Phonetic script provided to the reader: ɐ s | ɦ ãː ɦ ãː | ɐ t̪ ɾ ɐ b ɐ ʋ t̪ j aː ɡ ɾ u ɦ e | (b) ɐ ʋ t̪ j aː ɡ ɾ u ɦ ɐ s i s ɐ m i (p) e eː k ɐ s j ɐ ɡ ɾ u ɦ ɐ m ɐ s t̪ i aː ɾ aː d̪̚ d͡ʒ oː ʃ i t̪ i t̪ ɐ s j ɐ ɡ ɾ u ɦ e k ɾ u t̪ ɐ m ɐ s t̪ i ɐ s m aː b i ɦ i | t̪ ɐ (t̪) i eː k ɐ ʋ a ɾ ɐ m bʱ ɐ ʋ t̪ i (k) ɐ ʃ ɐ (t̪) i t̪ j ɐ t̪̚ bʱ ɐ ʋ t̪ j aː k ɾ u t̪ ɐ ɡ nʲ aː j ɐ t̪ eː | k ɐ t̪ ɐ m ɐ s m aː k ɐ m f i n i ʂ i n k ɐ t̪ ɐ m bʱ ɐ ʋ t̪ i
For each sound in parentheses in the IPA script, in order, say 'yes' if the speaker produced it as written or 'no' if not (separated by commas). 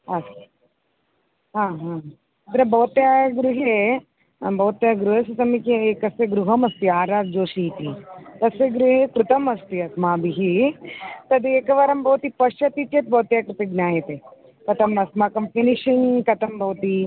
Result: yes, no, no, no, yes